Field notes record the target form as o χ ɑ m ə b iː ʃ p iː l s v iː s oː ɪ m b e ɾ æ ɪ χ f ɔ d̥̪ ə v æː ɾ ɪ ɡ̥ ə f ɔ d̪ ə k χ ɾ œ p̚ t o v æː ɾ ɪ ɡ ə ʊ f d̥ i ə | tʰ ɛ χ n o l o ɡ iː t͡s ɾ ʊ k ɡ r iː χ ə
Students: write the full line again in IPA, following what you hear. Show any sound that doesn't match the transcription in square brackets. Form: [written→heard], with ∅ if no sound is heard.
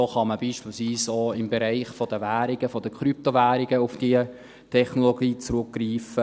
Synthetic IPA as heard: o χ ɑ m ə b iː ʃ p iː l s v iː s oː ɪ m b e ɾ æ ɪ χ f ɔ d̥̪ ə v æː ɾ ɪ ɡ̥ ə f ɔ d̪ ə k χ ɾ [œ→y] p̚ t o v æː ɾ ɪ ɡ ə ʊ f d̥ i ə | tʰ ɛ χ n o l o ɡ iː t͡s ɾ ʊ k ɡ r iː [χ→f] ə